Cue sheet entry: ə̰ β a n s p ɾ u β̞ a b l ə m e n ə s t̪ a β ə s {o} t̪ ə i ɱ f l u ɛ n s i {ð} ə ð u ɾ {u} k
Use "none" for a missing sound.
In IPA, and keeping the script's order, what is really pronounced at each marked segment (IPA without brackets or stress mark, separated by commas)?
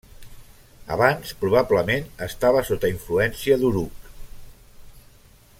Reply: o, none, u